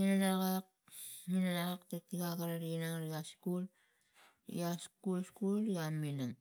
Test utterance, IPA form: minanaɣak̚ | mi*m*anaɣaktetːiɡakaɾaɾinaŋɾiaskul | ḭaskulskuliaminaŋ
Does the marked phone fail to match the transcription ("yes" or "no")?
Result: yes